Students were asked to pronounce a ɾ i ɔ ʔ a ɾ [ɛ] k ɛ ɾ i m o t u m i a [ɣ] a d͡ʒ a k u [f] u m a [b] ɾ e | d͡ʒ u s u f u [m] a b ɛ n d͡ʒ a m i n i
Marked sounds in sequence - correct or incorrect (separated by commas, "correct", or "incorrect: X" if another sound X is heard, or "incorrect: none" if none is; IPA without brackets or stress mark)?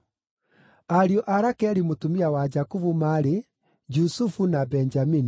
incorrect: a, incorrect: w, incorrect: v, incorrect: none, incorrect: n